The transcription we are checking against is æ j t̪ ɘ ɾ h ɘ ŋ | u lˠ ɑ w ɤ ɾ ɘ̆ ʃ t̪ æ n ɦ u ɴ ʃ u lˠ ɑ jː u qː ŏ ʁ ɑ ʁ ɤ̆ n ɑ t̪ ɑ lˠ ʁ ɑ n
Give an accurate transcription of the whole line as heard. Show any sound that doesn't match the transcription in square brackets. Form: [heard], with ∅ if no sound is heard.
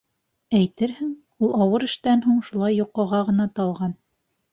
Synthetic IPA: æ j t̪ ɘ ɾ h ɘ ŋ | u lˠ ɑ w ɤ ɾ ɘ̆ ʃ t̪ æ n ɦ u ɴ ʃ u lˠ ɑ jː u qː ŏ ʁ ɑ ʁ ɤ̆ n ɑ t̪ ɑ lˠ ʁ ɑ n